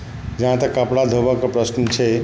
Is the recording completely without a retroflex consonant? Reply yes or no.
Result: no